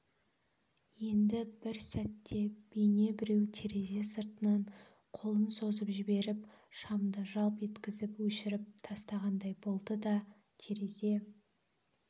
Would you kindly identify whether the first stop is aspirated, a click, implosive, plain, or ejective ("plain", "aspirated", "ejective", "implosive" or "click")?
plain